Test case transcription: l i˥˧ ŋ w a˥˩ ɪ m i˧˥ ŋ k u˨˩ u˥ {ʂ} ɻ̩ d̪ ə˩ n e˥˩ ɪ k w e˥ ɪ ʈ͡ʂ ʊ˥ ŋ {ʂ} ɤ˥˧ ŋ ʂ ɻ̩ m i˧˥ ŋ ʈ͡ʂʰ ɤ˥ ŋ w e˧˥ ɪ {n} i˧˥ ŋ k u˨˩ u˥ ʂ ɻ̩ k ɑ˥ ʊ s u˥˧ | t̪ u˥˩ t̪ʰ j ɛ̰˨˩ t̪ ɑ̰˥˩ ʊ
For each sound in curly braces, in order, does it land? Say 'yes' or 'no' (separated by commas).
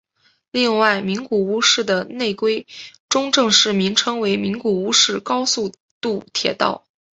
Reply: yes, no, no